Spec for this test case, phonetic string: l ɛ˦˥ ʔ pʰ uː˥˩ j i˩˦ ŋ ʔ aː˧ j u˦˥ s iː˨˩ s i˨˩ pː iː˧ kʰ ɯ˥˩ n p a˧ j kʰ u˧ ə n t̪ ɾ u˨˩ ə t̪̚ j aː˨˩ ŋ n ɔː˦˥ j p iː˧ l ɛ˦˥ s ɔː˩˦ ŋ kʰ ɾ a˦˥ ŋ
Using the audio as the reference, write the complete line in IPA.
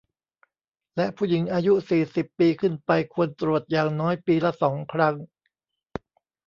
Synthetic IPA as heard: l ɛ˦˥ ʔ pʰ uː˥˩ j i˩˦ ŋ ʔ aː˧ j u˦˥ s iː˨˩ s i˨˩ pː iː˧ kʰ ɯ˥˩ n p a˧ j kʰ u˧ ə n t̪ ɾ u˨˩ ə t̪̚ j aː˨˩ ŋ n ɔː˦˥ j p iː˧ l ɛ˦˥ s ɔː˩˦ ŋ kʰ ɾ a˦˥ ŋ